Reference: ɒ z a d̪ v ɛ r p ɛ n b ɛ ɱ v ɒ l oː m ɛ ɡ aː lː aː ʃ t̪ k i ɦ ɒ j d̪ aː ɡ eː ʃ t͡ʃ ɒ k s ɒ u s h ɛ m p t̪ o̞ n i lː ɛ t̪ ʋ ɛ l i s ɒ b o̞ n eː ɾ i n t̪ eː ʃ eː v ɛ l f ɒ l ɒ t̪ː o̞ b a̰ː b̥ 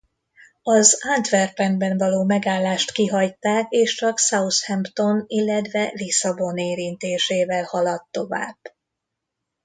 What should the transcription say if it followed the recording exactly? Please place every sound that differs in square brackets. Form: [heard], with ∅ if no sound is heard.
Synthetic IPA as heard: ɒ z a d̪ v ɛ r p ɛ n b ɛ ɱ v ɒ l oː m ɛ ɡ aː lː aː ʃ t̪ k i ɦ ɒ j [t̪] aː [k] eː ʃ t͡ʃ ɒ k s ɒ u s h ɛ m p t̪ o̞ n i lː ɛ t̪ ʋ ɛ l i s ɒ b o̞ n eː ɾ i n t̪ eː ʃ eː v ɛ l [h] ɒ l ɒ t̪ː o̞ [v] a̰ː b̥